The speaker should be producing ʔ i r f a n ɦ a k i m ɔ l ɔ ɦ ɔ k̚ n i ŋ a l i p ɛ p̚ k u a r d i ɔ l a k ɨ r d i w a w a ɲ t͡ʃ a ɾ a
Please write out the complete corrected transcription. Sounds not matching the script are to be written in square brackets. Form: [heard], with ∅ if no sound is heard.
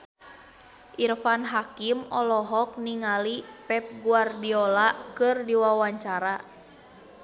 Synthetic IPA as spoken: ʔ i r f a n ɦ a k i m ɔ l ɔ ɦ ɔ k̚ n i ŋ a l i p ɛ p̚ [ɡ] u a r d i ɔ l a k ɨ r d i w a w a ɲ t͡ʃ a ɾ a